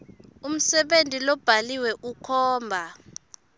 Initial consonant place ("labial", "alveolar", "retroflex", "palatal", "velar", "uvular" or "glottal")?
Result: labial